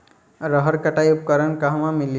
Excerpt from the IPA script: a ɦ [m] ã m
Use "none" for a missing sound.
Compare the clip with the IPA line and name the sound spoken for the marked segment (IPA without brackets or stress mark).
m